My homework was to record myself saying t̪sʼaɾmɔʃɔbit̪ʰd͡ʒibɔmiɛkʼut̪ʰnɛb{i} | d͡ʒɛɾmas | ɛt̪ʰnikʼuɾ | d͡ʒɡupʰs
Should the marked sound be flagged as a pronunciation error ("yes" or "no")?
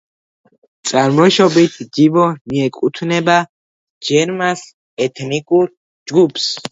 yes